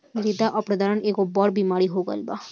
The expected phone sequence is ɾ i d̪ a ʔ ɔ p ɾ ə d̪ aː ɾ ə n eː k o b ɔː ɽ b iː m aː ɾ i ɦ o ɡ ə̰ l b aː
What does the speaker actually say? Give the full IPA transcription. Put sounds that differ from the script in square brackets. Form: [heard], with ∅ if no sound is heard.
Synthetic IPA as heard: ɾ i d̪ a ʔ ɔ p ɾ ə d̪ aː ɾ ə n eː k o b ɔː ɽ b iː m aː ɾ i ɦ o ɡ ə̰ l b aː